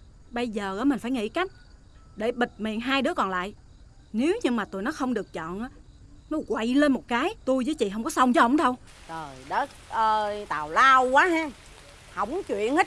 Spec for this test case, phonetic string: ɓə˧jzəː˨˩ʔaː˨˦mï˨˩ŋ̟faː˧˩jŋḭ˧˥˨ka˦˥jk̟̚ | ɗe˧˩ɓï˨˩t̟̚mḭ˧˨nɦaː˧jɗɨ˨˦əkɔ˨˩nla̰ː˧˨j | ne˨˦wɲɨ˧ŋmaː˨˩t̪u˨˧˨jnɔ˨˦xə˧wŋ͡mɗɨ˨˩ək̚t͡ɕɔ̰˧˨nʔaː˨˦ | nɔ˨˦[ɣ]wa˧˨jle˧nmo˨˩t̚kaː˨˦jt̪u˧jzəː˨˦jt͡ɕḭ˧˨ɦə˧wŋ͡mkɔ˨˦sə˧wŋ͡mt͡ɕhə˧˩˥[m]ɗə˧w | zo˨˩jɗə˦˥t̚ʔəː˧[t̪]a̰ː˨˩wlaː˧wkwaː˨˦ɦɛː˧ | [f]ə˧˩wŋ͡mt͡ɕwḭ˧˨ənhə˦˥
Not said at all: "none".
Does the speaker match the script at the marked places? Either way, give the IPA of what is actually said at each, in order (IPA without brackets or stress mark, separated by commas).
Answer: ɣ, ŋ͡m, t̪, h